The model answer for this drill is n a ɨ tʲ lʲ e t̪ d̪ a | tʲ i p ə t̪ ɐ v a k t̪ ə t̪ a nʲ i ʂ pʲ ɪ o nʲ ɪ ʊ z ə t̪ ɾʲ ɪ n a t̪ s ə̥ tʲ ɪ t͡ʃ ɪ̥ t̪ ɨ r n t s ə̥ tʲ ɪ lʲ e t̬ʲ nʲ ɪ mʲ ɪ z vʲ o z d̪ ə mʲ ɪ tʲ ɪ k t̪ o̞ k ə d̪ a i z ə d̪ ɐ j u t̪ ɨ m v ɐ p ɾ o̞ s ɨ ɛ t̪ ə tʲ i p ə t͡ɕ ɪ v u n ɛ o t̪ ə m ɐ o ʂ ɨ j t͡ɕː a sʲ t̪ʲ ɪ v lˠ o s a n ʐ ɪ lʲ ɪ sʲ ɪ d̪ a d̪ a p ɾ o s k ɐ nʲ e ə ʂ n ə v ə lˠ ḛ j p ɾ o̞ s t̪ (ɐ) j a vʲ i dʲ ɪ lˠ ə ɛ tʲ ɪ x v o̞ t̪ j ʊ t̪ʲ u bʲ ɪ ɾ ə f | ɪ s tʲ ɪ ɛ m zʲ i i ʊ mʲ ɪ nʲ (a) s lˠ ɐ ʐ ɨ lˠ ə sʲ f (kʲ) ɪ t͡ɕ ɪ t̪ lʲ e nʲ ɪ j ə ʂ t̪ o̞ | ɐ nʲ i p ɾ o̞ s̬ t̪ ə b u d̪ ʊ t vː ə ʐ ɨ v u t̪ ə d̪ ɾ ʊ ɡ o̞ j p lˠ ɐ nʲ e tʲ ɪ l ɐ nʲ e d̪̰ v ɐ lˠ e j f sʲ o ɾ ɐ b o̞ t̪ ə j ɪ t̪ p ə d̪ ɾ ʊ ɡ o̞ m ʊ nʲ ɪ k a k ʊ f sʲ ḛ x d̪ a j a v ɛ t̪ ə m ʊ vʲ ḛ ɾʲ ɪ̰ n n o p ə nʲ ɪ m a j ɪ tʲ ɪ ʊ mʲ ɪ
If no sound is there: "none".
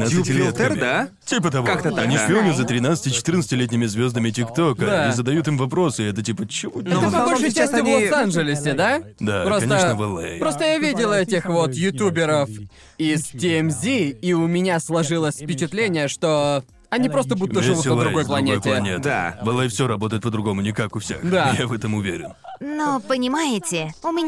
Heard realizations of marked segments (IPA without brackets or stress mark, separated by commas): ə, a, pʲ